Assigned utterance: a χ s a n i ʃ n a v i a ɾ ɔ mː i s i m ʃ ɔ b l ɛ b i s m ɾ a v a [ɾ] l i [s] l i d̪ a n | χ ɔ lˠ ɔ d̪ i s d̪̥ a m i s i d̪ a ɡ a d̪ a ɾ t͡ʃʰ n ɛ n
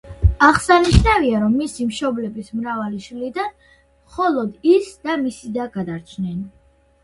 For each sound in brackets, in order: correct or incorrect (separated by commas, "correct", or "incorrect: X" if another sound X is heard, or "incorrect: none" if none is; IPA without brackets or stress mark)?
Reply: incorrect: none, incorrect: ʃ